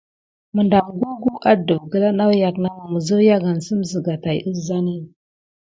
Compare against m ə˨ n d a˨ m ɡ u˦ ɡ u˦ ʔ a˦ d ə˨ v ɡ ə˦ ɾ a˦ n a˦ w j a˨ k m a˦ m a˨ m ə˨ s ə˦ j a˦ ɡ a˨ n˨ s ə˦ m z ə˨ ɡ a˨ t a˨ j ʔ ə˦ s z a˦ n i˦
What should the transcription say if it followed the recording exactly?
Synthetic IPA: m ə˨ n d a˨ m ɡ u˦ ɡ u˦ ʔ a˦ d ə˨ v ɡ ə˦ l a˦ n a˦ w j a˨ k n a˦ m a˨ m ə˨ z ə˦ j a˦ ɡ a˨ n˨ s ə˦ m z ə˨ ɡ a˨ t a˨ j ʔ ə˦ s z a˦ n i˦